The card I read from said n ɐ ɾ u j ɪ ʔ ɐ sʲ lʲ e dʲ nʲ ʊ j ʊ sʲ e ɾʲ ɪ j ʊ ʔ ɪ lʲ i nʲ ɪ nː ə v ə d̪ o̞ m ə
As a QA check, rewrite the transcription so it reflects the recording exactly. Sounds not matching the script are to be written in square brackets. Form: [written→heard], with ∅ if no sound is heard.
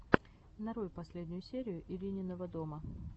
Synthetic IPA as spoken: n ɐ ɾ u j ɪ [ʔ→p] ɐ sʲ lʲ e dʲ nʲ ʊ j ʊ sʲ e ɾʲ ɪ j ʊ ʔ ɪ lʲ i nʲ ɪ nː ə v ə d̪ o̞ m ə